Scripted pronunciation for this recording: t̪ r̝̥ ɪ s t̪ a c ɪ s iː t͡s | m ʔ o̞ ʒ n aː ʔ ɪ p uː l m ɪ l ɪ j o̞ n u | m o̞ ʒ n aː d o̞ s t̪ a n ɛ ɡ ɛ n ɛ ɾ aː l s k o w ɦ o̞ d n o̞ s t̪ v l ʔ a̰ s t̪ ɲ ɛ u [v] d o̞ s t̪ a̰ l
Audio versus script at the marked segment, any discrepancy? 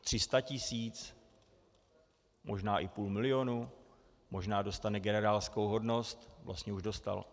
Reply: yes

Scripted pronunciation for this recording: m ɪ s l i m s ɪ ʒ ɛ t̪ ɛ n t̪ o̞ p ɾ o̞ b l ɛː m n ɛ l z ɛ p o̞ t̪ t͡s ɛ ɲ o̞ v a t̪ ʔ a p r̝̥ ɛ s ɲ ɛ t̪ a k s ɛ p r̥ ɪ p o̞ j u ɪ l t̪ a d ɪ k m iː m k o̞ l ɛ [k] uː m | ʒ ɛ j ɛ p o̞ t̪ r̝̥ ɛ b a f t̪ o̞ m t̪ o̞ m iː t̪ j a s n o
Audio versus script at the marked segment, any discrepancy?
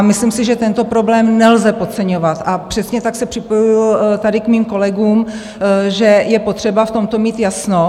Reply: yes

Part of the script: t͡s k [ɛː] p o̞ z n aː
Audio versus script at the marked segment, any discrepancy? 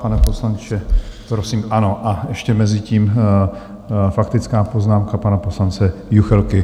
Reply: yes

